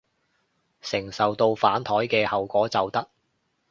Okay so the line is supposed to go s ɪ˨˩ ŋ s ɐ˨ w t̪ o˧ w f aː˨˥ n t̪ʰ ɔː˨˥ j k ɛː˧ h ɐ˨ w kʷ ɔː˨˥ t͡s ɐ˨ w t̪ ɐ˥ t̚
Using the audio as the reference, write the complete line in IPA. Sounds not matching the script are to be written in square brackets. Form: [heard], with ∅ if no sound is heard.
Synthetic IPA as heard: s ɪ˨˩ ŋ s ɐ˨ w t̪ o˧ w f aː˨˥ n t̪ʰ ɔː˨˥ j k ɛː˧ h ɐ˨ w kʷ ɔː˨˥ t͡s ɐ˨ w t̪ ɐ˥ [k̚]